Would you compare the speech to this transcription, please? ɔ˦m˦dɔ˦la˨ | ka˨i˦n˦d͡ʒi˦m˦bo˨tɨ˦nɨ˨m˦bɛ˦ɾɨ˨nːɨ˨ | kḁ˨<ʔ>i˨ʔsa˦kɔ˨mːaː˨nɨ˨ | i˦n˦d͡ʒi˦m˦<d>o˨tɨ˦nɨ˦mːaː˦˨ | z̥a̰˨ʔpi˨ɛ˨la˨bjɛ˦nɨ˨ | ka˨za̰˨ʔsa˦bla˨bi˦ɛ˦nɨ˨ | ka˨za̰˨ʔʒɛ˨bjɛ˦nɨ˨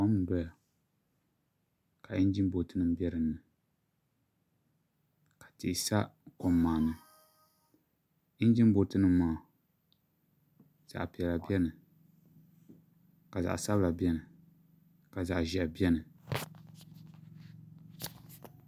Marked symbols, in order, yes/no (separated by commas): no, no